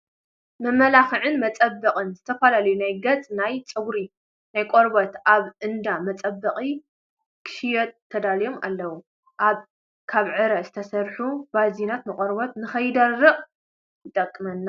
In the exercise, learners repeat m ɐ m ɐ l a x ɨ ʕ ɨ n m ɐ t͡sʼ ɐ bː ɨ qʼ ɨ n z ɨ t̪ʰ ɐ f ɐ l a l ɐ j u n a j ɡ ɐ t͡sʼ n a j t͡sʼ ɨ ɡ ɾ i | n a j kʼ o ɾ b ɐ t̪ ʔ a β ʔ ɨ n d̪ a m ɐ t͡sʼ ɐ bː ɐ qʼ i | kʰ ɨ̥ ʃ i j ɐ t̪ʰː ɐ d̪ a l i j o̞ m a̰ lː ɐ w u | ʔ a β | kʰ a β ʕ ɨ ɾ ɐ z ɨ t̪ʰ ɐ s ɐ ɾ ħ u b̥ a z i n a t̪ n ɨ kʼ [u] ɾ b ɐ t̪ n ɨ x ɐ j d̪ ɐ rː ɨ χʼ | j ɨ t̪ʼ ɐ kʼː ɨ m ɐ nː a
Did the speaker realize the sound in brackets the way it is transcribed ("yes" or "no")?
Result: no